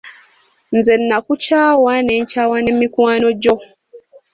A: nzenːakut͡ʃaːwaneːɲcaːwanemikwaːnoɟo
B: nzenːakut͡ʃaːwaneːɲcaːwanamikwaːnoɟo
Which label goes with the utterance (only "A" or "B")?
A